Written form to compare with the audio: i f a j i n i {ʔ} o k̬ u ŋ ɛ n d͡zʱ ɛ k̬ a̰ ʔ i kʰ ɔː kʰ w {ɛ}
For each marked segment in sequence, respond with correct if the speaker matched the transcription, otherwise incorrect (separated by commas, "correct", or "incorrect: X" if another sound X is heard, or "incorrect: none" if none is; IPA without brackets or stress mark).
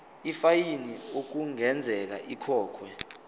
incorrect: none, correct